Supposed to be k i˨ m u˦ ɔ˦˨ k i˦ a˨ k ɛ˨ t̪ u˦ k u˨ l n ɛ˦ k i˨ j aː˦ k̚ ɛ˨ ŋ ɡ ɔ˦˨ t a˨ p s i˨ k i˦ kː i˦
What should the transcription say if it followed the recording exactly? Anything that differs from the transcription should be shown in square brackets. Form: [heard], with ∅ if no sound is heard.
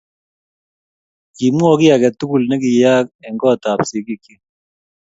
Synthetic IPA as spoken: k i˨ m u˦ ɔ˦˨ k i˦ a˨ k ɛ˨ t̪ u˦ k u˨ l n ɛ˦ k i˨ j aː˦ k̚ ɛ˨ ŋ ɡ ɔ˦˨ t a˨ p s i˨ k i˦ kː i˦